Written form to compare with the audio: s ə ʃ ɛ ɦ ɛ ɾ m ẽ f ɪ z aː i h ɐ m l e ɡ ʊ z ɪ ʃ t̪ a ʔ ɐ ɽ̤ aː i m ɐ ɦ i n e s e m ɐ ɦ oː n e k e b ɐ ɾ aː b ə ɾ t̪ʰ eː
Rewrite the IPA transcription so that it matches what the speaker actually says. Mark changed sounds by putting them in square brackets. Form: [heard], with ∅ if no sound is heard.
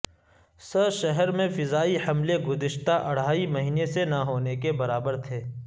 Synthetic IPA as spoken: s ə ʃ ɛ ɦ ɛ ɾ m ẽ f ɪ z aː i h ɐ m l e ɡ ʊ z ɪ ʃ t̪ a ʔ ɐ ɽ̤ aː i m ɐ ɦ [iː] n e s e [n] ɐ ɦ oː n e k e b ɐ ɾ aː b ə ɾ t̪ʰ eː